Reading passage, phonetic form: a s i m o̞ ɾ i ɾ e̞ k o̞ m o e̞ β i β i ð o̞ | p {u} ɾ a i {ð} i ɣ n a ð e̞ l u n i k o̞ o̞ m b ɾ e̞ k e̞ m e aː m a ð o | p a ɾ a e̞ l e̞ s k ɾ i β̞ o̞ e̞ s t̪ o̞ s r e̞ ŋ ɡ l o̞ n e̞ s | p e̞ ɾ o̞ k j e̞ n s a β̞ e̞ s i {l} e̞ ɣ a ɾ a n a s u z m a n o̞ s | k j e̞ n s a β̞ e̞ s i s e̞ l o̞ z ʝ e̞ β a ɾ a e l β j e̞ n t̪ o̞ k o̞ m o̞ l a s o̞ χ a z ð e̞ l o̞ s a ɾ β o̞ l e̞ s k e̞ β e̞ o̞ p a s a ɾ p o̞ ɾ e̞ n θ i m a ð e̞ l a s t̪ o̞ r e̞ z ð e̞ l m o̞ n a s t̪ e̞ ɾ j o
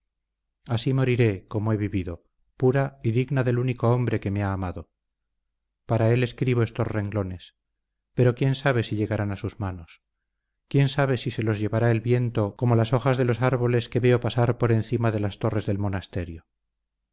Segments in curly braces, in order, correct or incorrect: correct, correct, incorrect: ʎ

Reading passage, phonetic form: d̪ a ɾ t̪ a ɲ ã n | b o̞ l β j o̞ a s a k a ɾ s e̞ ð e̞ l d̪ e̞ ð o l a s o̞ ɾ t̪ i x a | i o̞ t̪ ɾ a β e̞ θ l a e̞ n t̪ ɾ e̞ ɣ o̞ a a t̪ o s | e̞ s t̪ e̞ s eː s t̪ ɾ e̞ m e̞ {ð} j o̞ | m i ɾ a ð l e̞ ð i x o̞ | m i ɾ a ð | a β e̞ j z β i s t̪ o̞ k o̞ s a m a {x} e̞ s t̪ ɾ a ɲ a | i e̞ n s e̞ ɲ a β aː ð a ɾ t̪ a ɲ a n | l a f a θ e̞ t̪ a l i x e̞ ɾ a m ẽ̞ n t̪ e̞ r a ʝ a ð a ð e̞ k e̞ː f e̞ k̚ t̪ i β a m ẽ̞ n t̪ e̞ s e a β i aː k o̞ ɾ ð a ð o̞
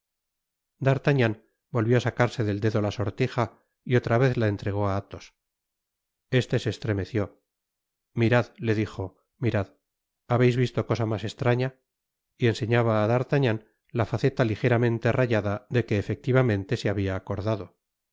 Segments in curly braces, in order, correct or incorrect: incorrect: θ, incorrect: s

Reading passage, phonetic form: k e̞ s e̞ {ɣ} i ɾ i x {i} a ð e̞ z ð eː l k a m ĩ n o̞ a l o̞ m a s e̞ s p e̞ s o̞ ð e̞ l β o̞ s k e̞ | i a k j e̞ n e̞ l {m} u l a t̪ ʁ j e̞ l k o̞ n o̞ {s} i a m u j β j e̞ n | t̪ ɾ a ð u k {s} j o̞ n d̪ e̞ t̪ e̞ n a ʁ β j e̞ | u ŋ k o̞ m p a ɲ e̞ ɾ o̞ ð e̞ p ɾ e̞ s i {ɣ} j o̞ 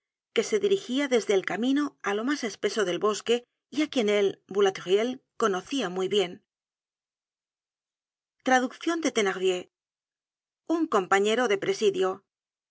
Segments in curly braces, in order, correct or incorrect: incorrect: ð, correct, incorrect: b, incorrect: θ, incorrect: θ, incorrect: ð

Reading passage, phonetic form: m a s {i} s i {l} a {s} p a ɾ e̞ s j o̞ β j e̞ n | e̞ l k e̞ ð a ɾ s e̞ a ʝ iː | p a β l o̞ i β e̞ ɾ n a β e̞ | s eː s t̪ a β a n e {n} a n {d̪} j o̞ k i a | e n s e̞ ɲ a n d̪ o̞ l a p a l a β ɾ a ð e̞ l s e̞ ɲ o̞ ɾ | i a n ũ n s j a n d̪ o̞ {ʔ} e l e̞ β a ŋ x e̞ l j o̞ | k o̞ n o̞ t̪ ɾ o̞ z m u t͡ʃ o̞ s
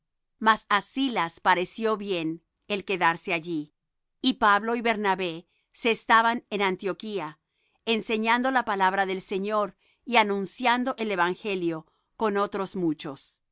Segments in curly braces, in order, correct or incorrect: incorrect: a, correct, correct, correct, incorrect: t̪, correct

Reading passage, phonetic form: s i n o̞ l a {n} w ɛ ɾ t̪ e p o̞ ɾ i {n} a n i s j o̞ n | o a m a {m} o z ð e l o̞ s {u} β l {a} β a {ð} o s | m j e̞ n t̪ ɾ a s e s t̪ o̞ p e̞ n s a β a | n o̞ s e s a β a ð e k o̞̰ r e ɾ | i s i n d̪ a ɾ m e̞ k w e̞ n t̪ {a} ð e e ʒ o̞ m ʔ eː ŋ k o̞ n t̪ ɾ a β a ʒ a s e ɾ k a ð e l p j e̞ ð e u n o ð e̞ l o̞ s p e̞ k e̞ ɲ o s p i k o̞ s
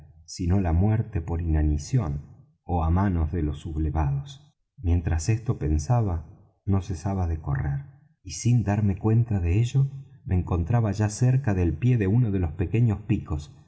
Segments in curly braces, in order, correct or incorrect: incorrect: m, correct, incorrect: n, correct, incorrect: e, correct, correct

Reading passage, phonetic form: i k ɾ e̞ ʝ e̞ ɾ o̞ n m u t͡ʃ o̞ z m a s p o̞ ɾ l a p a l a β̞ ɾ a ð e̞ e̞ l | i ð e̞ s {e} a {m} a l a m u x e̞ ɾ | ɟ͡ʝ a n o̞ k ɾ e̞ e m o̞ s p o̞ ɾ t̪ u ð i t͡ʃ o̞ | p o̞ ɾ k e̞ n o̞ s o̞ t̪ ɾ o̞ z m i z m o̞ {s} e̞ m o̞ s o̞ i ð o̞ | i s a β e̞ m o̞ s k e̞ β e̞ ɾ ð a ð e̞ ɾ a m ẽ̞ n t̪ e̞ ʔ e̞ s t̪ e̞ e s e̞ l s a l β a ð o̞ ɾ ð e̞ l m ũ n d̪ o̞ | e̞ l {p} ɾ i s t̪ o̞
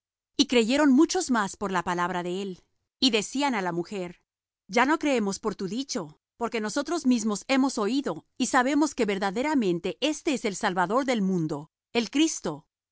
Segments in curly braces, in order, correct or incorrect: incorrect: i, incorrect: n, correct, incorrect: k

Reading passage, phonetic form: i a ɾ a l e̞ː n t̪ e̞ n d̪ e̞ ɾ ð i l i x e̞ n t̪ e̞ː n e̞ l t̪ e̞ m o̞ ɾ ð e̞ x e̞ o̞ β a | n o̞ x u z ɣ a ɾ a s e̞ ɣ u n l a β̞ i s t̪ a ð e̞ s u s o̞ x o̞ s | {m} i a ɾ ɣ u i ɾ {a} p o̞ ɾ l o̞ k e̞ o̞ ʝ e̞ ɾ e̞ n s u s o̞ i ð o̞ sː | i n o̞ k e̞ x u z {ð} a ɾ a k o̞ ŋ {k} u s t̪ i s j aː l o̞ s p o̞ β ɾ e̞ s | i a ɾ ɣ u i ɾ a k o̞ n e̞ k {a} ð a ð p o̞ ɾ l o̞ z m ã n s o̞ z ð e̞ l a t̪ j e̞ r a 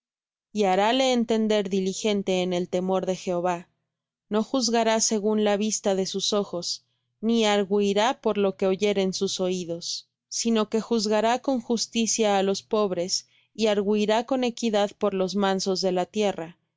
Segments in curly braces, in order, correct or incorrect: incorrect: n, correct, incorrect: ɣ, incorrect: x, incorrect: i

